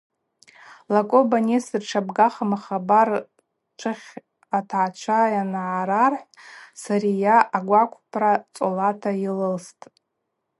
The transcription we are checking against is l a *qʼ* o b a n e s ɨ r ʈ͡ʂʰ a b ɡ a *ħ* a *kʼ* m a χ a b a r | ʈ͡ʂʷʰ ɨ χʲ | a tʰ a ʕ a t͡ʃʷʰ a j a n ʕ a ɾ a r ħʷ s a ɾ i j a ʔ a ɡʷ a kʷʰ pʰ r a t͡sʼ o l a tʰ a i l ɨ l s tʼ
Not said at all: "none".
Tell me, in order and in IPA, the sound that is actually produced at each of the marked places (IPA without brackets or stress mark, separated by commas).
kʼ, χ, none